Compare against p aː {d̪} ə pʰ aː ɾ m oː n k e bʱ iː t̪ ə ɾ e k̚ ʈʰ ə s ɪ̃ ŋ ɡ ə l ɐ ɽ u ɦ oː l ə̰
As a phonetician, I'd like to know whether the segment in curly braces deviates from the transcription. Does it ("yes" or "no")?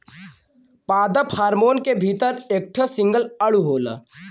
no